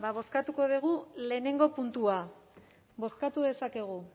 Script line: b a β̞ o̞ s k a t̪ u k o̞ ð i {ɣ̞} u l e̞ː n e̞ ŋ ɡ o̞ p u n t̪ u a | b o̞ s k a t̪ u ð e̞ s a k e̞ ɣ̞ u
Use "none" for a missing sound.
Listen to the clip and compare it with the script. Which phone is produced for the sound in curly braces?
ɣ̞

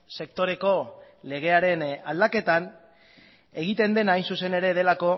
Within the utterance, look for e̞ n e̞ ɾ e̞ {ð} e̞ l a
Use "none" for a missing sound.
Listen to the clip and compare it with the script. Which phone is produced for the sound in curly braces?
ð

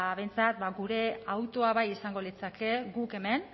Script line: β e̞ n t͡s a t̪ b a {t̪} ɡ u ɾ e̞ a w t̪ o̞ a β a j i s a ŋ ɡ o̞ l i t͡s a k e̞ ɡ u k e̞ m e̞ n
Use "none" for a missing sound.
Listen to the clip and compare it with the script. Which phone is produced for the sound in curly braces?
none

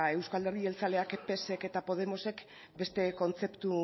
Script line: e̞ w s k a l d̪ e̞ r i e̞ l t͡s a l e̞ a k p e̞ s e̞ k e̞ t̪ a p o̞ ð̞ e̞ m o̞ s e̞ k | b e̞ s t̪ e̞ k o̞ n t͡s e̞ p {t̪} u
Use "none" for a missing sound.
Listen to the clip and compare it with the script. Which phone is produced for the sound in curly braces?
t̪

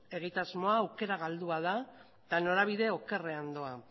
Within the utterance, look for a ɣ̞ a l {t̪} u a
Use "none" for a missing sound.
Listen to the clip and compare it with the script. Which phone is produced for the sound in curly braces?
d̪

